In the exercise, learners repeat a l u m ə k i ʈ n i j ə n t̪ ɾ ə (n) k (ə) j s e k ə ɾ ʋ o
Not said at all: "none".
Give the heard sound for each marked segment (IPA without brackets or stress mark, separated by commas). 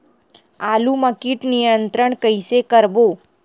ɳ, ə